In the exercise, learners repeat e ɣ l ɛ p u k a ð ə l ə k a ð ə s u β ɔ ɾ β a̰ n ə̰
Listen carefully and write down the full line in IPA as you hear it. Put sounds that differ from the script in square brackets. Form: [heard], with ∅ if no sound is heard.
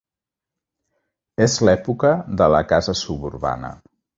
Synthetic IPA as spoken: e [z] l ɛ p u k [ə] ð ə l ə k a [z] ə s u β [u] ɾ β a̰ n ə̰